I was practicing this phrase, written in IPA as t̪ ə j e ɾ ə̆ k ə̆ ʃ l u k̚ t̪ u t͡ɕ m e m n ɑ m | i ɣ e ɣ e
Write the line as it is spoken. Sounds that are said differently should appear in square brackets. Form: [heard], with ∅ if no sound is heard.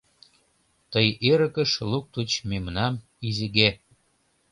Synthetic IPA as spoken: t̪ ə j e ɾ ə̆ k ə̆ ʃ l u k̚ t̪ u t͡ɕ m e m n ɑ m | i [z] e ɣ e